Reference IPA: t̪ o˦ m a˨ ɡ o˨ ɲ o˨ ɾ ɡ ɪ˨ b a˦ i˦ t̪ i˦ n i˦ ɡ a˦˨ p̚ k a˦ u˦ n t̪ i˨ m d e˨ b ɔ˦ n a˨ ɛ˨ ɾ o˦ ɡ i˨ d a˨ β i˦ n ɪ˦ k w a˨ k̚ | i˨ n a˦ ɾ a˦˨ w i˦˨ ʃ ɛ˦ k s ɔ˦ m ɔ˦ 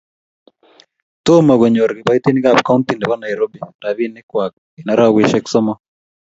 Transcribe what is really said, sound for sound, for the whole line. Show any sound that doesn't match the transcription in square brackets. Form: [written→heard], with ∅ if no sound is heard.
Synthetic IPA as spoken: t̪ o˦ m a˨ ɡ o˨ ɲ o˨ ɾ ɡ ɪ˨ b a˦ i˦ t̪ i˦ n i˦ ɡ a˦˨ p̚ k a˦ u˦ n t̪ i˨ [m→n] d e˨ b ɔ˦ n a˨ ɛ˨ ɾ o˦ [ɡ→b] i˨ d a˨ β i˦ n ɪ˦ k w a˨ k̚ | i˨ n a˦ ɾ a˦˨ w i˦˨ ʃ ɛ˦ k s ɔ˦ m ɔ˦